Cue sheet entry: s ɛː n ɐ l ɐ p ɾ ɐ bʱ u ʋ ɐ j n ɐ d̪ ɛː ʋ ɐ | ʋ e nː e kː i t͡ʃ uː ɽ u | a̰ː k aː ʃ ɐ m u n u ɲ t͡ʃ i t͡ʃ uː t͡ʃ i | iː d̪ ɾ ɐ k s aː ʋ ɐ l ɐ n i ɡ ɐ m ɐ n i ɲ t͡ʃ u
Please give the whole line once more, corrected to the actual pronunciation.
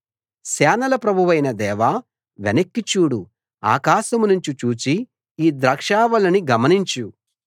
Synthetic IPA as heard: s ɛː n ɐ l ɐ p ɾ ɐ bʱ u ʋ ɐ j n ɐ d̪ ɛː ʋ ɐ | ʋ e n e kː i t͡ʃ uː ɽ u | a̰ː k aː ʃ ɐ m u n u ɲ t͡ʃ i t͡ʃ uː t͡ʃ i | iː d̪ ɾ ɐ k ʂ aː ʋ ɐ l ɐ n i ɡ ɐ m ɐ n i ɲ t͡ʃ u